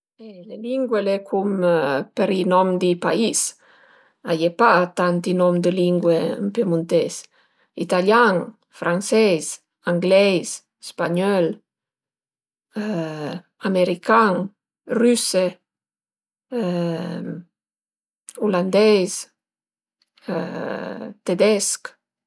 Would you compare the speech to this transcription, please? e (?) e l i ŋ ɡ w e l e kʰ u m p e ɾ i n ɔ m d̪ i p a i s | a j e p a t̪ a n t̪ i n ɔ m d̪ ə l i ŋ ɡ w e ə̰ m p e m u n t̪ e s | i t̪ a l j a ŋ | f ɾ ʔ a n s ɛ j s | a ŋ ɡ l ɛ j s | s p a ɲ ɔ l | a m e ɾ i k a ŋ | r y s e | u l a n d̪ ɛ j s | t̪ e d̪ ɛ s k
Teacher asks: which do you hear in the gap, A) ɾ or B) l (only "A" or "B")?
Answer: B